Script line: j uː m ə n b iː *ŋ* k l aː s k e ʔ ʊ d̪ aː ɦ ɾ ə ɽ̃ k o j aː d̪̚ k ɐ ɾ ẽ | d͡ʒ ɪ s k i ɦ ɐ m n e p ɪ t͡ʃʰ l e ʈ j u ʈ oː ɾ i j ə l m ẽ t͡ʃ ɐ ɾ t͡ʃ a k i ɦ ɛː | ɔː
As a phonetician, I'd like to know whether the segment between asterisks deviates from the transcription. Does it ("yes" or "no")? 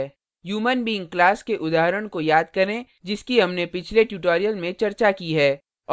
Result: no